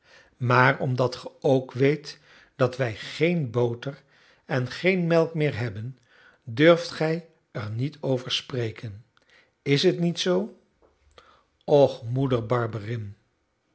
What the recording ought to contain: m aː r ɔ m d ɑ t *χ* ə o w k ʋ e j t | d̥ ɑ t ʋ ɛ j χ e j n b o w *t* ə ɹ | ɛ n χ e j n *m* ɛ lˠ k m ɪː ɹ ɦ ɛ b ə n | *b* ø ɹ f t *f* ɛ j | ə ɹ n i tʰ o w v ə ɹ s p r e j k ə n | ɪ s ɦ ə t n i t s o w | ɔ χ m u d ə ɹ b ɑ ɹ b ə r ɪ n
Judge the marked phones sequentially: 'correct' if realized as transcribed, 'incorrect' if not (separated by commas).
correct, correct, correct, incorrect, incorrect